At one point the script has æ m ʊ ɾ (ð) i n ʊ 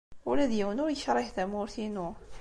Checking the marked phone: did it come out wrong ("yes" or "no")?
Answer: yes